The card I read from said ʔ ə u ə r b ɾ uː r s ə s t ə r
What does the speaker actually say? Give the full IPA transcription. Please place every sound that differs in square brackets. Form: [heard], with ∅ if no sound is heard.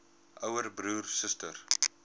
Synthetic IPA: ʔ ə [w] ə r b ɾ uː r s ə s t ə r